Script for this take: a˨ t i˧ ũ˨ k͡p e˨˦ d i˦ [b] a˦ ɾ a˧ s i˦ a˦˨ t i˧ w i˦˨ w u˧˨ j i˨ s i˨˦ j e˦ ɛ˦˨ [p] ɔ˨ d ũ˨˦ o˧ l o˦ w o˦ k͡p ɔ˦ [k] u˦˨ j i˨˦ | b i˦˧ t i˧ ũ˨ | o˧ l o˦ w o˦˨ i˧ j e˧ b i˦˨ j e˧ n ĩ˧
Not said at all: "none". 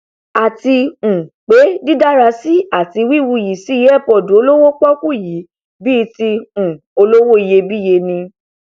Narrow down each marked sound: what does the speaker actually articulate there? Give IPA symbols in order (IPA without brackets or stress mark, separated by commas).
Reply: d, p, k